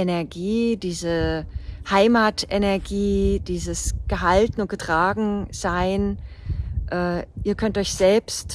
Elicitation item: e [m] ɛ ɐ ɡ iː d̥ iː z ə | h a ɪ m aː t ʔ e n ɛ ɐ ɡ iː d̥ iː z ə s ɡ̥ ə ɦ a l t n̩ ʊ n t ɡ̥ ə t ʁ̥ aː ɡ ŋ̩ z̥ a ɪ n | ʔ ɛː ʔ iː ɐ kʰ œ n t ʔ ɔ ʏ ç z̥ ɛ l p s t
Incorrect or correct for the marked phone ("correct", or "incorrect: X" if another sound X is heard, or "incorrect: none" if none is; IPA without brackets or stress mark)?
incorrect: n